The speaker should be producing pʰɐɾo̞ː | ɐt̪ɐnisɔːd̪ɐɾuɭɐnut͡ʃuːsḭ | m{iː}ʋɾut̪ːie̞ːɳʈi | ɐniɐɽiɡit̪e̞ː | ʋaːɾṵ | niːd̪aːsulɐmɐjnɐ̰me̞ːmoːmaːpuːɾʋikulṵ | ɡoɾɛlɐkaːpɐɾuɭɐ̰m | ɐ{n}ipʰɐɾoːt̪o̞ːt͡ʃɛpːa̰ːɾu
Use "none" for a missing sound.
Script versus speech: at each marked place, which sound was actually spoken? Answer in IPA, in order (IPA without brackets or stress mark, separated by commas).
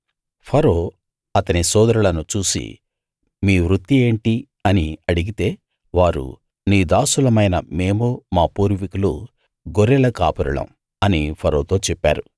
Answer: iː, n